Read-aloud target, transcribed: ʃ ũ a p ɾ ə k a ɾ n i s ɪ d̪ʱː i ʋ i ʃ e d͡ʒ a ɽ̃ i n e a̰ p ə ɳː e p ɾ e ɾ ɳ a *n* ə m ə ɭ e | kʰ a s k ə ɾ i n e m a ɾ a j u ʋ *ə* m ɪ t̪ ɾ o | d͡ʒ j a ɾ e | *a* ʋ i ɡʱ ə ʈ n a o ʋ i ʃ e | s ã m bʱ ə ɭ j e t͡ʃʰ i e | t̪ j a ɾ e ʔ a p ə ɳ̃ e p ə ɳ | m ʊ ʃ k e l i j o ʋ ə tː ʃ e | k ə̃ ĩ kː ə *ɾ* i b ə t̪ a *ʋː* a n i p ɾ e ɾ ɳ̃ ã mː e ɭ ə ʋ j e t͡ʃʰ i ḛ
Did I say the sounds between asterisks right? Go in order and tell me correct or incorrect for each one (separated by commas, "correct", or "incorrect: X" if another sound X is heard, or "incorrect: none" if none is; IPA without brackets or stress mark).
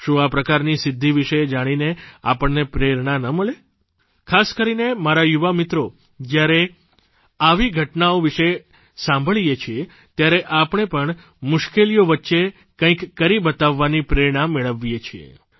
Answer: correct, incorrect: a, correct, correct, correct